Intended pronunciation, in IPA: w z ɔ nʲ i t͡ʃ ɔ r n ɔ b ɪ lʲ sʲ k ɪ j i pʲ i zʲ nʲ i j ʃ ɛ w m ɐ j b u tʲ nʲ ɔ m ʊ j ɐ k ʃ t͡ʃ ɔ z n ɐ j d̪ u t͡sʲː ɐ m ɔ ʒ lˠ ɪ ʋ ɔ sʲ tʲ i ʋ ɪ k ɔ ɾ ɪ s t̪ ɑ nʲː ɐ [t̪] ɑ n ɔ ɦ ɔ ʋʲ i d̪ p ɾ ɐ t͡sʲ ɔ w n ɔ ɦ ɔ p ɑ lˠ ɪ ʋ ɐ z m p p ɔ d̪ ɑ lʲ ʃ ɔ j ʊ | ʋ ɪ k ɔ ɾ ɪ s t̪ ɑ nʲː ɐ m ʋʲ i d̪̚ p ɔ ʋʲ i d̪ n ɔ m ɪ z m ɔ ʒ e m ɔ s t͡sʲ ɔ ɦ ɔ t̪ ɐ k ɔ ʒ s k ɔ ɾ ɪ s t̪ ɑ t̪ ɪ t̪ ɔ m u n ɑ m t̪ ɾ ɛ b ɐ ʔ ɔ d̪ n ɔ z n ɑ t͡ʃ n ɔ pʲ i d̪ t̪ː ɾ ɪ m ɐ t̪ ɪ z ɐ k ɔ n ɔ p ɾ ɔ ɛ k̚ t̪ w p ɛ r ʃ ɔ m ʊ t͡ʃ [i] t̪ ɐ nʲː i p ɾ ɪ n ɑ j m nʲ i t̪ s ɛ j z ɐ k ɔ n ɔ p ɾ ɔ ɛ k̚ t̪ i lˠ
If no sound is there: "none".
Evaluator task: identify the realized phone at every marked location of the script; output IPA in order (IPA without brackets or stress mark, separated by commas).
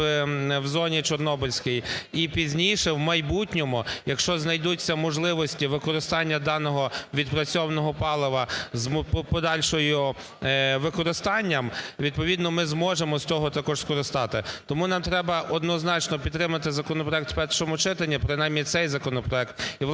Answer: d̪, ɪ